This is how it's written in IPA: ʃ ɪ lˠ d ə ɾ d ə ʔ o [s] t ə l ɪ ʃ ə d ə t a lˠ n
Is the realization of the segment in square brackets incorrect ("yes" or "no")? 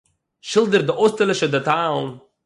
no